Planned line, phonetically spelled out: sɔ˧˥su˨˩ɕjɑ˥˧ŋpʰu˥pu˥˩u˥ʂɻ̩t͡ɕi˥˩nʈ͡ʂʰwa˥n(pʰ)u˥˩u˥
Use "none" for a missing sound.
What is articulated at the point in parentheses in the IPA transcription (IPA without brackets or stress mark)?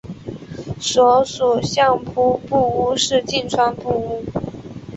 p